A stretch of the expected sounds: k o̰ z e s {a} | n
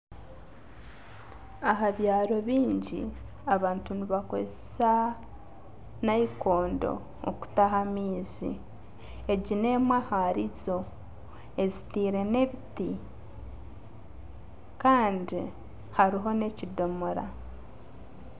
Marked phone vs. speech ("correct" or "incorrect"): correct